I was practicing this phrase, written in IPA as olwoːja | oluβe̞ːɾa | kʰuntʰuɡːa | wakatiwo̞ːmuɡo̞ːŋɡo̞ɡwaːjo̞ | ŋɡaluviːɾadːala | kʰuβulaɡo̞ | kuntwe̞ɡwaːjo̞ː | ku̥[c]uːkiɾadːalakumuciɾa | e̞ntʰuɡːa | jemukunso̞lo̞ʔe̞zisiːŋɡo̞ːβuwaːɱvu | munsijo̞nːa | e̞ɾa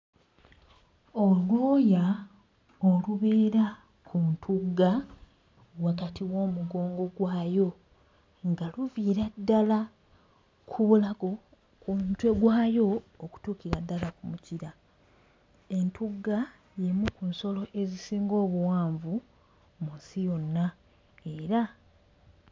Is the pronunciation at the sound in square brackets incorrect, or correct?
incorrect